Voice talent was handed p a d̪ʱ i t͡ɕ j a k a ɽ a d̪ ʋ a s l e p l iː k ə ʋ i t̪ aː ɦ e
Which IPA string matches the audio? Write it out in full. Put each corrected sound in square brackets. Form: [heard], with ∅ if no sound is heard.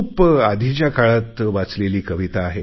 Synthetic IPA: p a d̪ʱ i t͡ɕ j a k a [ɭ] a [t̪] ʋ a [t͡s] l e [∅] l iː k ə ʋ i t̪ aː ɦ e